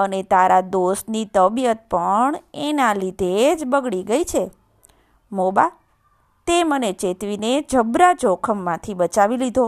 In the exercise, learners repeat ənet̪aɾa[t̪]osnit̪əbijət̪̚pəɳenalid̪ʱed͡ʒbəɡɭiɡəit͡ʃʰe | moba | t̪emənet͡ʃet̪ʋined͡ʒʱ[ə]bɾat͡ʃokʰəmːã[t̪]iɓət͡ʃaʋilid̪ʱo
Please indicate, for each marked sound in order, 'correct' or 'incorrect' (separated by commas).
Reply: incorrect, correct, incorrect